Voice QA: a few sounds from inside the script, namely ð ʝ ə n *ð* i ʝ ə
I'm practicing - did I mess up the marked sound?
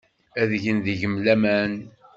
no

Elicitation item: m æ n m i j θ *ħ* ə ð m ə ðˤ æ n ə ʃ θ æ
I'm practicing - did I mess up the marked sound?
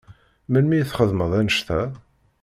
yes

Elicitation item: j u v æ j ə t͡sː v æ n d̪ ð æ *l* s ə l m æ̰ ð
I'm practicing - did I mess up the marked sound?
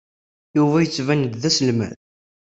yes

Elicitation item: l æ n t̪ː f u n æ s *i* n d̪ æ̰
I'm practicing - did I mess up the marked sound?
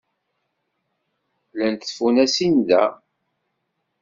no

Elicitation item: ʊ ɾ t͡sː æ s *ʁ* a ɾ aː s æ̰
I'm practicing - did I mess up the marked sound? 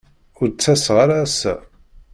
no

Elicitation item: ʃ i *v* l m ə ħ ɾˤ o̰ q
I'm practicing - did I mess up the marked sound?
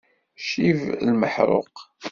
no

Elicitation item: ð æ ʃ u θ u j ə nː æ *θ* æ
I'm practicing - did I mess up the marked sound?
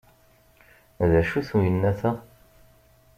no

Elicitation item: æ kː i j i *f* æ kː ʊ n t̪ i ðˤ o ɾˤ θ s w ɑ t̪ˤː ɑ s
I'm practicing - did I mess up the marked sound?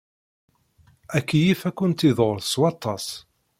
no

